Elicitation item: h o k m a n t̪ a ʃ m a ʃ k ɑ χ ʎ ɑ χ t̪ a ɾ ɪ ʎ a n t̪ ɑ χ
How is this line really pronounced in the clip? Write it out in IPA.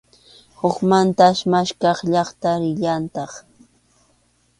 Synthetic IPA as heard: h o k m a n t̪ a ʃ m a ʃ k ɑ χ ʎ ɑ χ t̪ a ɾ ɪ ʎ a n t̪ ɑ χ

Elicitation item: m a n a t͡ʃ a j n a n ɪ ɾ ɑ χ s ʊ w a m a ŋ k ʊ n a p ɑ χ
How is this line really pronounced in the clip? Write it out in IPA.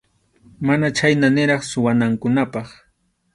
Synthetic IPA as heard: m a n a t͡ʃ a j n a n ɪ ɾ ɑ χ s ʊ w a n a ŋ k ʊ n a p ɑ χ

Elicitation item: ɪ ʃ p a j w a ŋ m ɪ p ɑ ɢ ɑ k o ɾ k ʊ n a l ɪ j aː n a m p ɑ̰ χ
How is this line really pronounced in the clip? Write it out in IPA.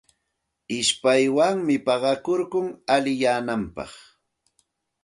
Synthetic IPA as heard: ɪ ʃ p a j w a ŋ m ɪ p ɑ ɢ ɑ k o ɾ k ʊ ŋ a l ɪ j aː n a m p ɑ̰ χ

